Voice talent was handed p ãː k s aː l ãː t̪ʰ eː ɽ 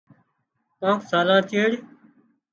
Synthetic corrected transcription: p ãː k s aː l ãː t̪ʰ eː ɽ